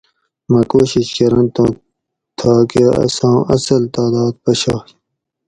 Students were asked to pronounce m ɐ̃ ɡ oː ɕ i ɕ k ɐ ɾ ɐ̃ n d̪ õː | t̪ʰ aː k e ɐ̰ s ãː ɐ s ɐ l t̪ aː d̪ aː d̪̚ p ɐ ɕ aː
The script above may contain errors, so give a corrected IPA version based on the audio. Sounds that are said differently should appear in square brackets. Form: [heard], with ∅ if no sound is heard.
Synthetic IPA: m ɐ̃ [k] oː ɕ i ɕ k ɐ ɾ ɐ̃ n [t̪] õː | t̪ʰ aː k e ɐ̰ s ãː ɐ s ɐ l t̪ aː d̪ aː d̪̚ p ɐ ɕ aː